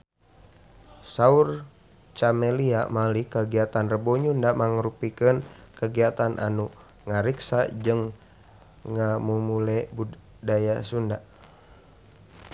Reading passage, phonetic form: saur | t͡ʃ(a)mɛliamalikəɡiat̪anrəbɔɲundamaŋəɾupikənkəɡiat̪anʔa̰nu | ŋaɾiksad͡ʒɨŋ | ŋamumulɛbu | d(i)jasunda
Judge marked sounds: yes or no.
yes, no

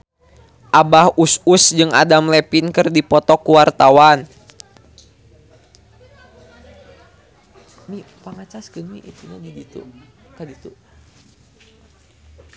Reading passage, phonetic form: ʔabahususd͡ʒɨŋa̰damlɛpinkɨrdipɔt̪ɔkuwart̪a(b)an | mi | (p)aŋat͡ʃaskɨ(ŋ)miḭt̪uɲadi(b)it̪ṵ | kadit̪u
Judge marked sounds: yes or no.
no, yes, no, no

